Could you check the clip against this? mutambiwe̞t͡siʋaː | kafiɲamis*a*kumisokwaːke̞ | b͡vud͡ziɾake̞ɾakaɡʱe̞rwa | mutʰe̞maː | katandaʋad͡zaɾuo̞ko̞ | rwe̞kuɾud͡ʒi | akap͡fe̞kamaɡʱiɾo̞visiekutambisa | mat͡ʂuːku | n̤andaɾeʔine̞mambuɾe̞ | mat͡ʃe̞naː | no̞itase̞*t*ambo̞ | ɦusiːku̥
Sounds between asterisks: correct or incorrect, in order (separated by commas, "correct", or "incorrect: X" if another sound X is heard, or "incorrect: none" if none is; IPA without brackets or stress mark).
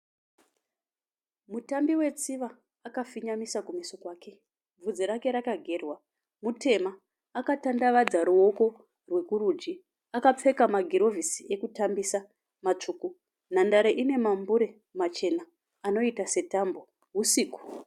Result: correct, correct